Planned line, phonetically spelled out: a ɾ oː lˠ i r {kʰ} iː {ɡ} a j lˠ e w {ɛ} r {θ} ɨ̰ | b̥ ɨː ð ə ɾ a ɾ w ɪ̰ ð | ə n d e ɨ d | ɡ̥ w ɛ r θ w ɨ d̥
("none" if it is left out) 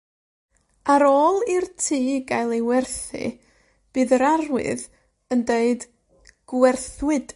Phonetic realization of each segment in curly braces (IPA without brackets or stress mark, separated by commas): tʰ, ɡ, ɛ, θ